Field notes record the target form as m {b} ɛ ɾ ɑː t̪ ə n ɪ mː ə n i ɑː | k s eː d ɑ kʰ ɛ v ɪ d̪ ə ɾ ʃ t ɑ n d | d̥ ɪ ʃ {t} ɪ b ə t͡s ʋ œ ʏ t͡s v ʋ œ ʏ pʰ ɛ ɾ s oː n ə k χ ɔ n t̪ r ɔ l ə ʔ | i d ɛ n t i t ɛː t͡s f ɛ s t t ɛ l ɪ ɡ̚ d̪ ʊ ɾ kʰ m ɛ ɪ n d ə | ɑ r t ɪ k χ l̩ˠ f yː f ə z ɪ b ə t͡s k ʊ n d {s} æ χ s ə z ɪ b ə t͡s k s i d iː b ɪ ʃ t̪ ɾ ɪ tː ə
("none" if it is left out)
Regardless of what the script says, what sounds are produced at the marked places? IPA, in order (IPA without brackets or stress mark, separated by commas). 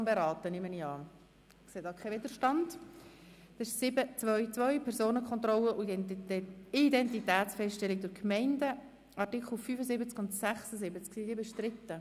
b, s, s